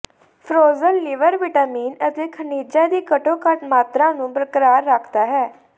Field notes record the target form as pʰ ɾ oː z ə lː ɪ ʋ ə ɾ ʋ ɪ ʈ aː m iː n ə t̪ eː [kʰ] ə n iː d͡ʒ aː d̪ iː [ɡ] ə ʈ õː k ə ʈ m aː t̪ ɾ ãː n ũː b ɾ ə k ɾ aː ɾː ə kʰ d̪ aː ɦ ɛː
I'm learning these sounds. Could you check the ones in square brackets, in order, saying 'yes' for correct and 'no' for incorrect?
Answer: yes, no

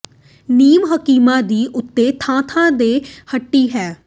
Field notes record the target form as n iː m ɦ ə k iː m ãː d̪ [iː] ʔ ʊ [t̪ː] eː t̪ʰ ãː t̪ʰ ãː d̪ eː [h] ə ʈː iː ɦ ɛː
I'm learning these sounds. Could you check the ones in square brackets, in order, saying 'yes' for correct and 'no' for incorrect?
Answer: yes, yes, yes

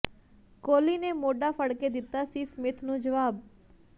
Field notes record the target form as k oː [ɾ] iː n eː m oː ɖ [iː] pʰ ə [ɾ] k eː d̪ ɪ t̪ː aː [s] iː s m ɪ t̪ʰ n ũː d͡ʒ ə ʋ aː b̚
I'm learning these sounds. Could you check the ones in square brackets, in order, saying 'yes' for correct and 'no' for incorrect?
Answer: no, no, no, yes

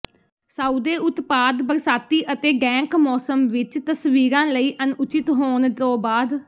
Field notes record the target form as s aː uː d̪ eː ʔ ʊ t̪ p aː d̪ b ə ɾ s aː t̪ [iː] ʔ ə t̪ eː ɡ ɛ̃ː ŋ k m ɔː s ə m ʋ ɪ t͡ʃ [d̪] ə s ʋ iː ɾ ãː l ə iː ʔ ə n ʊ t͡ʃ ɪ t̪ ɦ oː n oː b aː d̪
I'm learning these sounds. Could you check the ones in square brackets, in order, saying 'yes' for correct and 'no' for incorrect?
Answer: yes, no

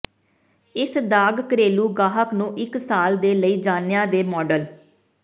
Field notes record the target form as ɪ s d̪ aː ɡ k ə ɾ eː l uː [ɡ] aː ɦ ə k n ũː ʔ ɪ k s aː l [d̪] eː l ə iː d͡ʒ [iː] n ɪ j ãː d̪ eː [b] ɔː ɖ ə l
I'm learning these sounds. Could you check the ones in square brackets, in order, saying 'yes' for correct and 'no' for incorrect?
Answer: yes, yes, no, no

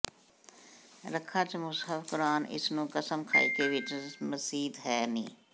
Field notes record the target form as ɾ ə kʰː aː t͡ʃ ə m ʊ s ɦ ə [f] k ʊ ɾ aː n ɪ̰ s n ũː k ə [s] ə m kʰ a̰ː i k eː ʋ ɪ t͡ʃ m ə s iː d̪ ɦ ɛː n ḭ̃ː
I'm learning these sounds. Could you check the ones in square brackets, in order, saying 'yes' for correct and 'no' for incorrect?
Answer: yes, yes

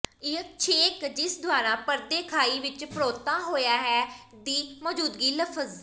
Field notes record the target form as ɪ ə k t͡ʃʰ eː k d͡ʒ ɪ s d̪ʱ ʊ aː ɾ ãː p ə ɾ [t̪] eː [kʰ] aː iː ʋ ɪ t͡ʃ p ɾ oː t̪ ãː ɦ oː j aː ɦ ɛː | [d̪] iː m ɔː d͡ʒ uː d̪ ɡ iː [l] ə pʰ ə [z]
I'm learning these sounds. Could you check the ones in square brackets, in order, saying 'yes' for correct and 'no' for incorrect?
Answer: no, yes, yes, yes, yes

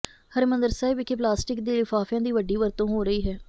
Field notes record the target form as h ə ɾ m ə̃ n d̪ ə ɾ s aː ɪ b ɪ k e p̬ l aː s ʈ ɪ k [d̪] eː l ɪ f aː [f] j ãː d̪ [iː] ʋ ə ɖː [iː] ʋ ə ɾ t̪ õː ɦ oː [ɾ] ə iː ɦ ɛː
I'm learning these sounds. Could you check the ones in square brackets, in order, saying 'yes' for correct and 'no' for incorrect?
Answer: yes, yes, yes, yes, yes

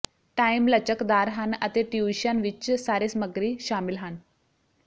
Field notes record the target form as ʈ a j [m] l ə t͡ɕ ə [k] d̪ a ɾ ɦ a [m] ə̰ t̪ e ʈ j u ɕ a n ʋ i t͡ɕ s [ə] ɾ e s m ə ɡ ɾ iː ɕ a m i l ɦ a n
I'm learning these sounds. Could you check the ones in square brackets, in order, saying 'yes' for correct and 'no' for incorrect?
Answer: yes, yes, no, no

